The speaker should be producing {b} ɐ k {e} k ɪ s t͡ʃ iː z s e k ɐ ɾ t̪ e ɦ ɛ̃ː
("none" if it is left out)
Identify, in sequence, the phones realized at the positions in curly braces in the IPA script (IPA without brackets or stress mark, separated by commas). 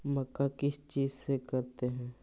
m, a